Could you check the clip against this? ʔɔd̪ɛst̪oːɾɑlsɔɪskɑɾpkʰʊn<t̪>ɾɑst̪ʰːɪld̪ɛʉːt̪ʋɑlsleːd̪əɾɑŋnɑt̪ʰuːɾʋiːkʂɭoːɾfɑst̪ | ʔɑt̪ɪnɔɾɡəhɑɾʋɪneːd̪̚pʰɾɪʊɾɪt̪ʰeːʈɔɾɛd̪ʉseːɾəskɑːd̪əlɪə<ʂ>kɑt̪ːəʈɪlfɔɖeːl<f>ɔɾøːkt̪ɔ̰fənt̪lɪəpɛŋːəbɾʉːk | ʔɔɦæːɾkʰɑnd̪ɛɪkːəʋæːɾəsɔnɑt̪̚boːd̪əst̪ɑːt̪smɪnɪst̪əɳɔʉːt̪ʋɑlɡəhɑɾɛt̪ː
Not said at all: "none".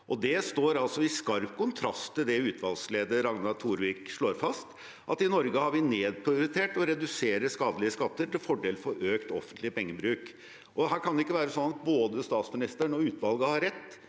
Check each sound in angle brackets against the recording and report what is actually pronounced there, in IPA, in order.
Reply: t̪ʰ, s, f

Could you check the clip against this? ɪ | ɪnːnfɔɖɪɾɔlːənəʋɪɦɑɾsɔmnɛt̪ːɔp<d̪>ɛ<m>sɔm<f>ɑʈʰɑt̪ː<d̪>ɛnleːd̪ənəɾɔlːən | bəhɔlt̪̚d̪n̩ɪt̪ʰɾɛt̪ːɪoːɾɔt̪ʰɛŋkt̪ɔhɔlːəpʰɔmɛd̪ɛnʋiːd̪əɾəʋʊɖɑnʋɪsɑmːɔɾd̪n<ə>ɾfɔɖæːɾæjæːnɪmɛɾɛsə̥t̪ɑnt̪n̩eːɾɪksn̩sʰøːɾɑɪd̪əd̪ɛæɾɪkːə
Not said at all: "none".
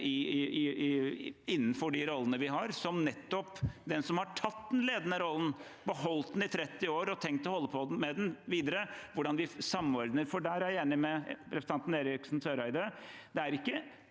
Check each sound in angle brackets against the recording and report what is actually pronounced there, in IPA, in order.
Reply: d̪, n, h, d̪, ə

